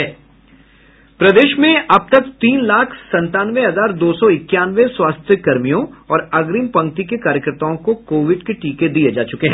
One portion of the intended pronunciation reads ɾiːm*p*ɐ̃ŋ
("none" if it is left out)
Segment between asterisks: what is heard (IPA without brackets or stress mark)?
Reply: p